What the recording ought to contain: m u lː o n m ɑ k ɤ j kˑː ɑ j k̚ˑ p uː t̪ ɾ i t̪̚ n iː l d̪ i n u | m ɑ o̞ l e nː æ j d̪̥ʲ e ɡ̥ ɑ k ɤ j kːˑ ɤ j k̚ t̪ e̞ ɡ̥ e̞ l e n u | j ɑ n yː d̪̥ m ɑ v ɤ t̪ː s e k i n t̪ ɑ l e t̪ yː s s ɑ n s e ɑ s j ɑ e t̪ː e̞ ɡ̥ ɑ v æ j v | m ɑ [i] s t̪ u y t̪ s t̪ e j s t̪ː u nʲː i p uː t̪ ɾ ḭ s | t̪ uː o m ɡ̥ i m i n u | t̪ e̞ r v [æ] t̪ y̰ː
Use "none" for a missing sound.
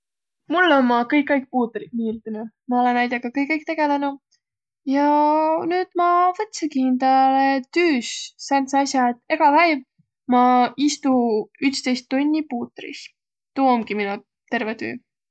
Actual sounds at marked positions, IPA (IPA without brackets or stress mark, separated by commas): i, e